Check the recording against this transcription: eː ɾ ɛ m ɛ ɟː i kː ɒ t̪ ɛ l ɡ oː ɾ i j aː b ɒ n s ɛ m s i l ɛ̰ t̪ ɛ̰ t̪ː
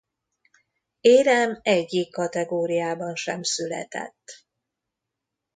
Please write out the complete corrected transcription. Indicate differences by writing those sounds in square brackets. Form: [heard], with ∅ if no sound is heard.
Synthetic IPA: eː ɾ ɛ m ɛ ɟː i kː ɒ t̪ ɛ [∅] ɡ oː ɾ i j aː b ɒ n [ʃ] ɛ m s [y] l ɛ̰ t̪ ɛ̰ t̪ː

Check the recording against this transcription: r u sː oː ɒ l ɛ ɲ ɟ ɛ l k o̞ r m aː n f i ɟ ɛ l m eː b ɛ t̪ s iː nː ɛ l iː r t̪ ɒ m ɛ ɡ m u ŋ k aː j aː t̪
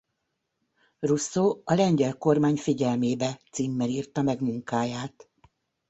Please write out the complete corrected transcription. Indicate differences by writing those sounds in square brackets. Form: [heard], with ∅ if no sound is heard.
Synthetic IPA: r u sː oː ɒ l ɛ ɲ ɟ ɛ l k o̞ r m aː [ɲ] f i ɟ ɛ l m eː b ɛ t̪ s iː [mː] ɛ l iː r t̪ ɒ m ɛ ɡ m u ŋ k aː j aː t̪

